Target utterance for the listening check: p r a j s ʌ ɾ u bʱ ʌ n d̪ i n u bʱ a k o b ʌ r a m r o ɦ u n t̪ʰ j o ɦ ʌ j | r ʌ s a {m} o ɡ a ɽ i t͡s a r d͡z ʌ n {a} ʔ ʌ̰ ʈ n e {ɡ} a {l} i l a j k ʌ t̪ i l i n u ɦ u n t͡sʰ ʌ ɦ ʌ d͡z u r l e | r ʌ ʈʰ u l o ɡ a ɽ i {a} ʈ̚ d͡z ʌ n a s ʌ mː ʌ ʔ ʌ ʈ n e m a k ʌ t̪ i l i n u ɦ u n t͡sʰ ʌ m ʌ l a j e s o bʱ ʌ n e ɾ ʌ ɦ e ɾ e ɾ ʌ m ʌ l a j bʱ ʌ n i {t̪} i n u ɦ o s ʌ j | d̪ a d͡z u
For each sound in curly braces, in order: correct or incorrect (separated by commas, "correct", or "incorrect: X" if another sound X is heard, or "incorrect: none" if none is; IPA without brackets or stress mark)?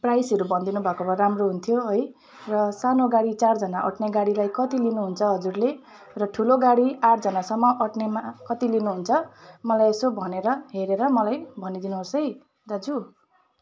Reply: incorrect: n, correct, correct, incorrect: ɽ, correct, incorrect: d̪